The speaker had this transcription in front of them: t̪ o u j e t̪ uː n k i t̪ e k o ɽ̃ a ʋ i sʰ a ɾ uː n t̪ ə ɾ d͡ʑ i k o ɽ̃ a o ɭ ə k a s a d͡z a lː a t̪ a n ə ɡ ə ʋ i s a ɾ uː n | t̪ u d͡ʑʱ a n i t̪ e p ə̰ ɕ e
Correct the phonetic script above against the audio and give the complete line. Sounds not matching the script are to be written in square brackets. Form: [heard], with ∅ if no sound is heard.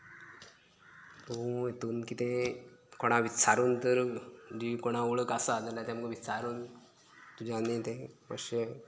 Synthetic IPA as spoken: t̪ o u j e t̪ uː n k i t̪ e k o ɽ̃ a ʋ i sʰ a ɾ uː n t̪ ə ɾ d͡ʑ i k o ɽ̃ a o ɭ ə k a s a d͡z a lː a t̪ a [m] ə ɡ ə ʋ i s a ɾ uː n | t̪ u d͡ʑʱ a n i t̪ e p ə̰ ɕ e